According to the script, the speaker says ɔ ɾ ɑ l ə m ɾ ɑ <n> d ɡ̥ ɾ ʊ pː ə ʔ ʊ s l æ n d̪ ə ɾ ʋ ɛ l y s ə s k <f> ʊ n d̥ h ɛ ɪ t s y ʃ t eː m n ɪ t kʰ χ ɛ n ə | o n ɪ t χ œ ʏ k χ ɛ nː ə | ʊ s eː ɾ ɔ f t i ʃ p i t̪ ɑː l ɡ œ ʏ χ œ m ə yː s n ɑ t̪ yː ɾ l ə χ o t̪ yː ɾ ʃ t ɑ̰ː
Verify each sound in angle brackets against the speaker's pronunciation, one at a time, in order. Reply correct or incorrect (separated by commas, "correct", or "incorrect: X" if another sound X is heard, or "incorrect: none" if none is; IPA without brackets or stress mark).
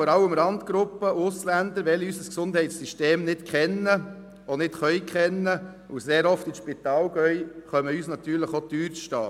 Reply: correct, incorrect: s